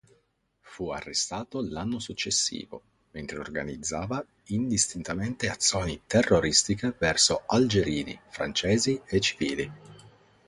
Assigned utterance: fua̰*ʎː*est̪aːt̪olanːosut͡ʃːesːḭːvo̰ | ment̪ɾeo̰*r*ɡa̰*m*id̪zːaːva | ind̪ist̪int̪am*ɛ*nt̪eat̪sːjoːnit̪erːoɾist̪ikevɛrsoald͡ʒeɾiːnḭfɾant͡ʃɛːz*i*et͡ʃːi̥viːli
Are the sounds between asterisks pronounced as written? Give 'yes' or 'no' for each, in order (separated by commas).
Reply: no, yes, no, no, yes